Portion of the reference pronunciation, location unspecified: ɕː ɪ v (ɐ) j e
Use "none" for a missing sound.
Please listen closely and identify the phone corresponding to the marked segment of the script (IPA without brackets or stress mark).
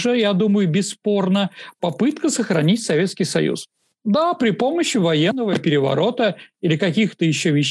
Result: ɐ